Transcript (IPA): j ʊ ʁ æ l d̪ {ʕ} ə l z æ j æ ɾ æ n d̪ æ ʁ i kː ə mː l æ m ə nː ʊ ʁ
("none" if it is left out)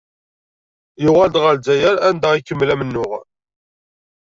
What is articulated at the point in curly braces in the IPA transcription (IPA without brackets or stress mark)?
ʁ